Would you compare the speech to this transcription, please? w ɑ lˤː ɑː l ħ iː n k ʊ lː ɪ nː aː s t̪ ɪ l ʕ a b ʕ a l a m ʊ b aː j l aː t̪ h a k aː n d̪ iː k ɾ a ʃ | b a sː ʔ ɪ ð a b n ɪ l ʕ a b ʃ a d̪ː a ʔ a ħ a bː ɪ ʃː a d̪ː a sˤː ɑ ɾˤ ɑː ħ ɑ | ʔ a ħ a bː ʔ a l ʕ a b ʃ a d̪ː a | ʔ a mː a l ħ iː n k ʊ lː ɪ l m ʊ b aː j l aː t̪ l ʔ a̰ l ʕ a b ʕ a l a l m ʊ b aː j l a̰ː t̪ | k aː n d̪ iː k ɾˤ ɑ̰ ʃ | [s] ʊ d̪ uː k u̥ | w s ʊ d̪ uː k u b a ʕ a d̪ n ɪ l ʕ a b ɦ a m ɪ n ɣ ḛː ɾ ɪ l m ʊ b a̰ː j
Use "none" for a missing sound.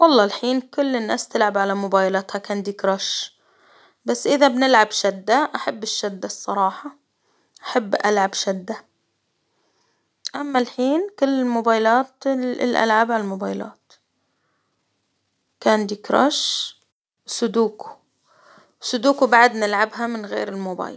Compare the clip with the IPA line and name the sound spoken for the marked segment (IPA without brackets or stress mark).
s